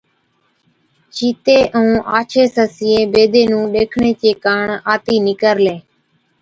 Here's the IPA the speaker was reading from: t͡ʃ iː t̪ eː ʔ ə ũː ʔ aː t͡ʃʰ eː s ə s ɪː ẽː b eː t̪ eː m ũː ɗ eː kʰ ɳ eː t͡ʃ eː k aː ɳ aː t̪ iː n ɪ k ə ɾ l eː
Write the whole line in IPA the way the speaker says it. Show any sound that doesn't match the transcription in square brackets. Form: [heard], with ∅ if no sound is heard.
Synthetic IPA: t͡ʃ iː t̪ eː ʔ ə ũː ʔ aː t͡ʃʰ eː s ə s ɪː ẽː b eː [d̪] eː [n] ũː ɗ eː kʰ ɳ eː t͡ʃ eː k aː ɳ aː t̪ iː n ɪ k ə ɾ l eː